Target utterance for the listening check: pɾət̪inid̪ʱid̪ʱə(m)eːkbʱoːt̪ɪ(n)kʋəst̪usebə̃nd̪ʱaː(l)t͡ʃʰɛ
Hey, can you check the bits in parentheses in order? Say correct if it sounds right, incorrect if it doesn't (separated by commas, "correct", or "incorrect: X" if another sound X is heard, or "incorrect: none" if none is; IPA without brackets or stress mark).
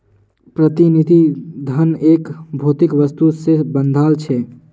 incorrect: n, incorrect: none, correct